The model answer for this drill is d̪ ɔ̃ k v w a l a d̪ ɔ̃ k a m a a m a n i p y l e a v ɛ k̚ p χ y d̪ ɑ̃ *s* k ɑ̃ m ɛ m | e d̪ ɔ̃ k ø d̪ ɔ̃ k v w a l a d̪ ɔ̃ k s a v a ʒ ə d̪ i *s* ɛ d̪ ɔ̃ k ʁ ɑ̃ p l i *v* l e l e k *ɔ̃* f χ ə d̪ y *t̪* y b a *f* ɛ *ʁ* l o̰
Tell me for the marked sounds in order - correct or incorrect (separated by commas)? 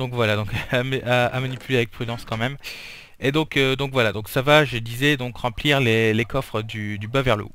correct, incorrect, incorrect, incorrect, incorrect, incorrect, correct